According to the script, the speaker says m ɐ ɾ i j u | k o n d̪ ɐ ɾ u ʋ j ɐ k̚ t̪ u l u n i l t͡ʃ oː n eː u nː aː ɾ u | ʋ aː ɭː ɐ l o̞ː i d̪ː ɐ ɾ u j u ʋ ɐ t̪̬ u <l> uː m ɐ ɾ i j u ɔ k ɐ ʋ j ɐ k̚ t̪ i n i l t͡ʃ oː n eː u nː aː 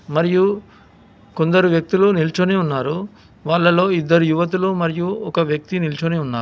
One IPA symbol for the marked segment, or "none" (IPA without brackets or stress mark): l